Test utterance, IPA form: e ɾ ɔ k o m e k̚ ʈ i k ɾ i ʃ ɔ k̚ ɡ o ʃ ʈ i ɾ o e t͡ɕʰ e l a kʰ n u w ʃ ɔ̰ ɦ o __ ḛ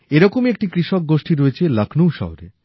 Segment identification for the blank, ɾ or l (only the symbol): ɾ